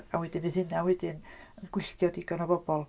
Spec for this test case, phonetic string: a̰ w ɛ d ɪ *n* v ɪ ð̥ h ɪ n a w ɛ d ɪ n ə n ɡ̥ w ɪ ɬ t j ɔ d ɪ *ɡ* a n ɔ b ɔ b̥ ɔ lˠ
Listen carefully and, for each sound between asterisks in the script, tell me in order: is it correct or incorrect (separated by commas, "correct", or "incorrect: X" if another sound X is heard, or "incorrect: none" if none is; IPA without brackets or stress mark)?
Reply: correct, correct